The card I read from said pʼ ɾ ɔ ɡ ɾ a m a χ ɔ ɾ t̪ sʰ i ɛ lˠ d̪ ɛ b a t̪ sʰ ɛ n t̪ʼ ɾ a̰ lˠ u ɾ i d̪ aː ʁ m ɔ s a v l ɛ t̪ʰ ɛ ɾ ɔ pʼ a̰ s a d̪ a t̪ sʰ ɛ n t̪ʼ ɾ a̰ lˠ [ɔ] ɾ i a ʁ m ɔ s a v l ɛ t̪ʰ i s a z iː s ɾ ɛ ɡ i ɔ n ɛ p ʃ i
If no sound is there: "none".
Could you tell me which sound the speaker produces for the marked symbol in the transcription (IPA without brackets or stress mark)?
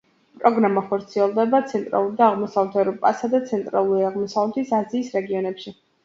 u